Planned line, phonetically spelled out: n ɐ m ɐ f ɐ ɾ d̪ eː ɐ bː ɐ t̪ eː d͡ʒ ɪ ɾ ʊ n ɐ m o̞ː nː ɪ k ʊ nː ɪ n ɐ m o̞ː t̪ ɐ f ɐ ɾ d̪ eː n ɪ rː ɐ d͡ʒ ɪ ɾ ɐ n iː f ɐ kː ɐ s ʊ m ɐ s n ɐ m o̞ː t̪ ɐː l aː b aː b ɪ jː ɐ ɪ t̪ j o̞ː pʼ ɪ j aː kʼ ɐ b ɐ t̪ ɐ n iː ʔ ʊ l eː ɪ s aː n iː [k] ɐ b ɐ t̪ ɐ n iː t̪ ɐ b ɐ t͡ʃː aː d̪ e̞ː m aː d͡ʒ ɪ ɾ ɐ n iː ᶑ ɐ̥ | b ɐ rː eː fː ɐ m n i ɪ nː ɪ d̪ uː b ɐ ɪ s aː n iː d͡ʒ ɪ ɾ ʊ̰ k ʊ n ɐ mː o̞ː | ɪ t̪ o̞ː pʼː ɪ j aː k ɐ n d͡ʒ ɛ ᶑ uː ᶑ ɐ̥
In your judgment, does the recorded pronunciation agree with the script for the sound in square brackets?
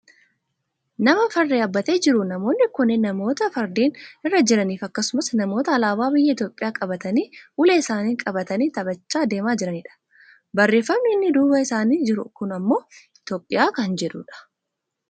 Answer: no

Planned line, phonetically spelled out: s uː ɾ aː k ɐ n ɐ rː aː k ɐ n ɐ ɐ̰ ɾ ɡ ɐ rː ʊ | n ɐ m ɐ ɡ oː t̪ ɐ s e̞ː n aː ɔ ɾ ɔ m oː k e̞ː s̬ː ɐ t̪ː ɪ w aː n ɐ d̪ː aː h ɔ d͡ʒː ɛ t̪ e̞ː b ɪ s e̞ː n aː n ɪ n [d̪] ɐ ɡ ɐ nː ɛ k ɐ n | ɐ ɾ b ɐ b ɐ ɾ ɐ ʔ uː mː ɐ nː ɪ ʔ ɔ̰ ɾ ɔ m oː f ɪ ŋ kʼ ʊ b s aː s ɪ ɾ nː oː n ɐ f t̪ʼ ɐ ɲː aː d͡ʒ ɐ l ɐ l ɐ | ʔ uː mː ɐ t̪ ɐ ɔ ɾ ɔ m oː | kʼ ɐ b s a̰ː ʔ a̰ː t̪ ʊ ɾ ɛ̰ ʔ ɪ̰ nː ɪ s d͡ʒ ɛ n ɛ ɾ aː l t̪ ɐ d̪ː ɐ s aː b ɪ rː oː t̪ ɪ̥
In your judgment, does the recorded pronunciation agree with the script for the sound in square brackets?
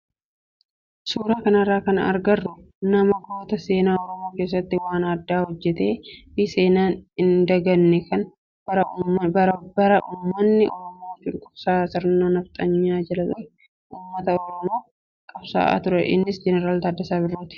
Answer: yes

